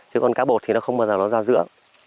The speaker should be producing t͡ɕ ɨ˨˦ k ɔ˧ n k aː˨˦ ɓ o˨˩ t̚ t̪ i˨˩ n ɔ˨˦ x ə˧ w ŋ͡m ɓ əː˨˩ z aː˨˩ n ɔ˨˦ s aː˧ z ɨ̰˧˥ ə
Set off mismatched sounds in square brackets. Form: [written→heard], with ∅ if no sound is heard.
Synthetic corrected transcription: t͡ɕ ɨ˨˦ k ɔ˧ n k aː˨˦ ɓ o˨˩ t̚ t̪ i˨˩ n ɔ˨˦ x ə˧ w ŋ͡m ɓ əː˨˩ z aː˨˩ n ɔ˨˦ [s→z] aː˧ z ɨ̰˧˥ ə